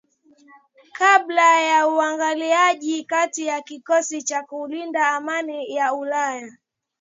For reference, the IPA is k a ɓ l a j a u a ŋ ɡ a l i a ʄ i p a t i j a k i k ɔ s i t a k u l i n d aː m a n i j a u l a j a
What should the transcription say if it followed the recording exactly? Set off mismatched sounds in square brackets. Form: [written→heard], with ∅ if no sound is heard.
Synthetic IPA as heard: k a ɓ l a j a u a ŋ ɡ a l i a ʄ i [p→k] a t i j a k i k ɔ s i [t→t͡ʃ] a k u l i n d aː m a n i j a u l a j a